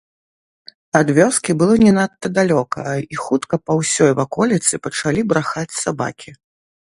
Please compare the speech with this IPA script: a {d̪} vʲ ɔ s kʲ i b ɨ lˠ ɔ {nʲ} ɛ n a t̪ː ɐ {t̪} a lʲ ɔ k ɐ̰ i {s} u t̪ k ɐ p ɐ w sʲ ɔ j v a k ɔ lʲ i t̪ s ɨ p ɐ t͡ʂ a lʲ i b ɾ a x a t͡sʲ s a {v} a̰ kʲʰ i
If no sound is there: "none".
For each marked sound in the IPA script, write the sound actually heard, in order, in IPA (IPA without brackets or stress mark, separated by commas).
d̪, nʲ, d̪, x, b